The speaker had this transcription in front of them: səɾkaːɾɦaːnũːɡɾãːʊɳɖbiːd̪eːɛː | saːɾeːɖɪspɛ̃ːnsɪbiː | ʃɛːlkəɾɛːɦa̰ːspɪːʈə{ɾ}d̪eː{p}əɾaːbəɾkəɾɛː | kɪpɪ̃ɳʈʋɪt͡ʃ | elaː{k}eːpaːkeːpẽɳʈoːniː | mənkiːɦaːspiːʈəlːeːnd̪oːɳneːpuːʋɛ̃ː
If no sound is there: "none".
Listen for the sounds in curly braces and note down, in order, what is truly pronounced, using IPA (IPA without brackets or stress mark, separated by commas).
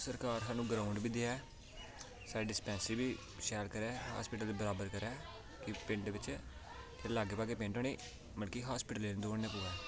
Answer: l, b, ɡ